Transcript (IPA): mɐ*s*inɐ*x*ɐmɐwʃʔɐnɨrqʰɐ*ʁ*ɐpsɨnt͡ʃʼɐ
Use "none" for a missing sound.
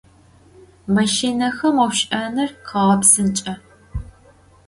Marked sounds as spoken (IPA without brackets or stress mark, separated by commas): ʃ, x, ʁ